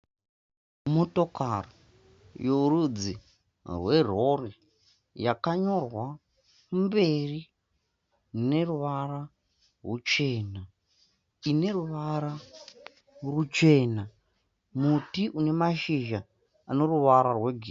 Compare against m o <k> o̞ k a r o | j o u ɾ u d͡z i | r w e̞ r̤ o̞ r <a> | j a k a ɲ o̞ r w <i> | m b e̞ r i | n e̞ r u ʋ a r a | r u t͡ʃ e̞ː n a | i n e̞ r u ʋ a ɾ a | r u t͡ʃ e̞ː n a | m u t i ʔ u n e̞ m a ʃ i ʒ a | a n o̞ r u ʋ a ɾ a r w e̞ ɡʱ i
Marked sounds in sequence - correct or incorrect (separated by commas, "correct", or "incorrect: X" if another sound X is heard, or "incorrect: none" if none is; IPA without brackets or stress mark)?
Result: incorrect: t, incorrect: i, incorrect: a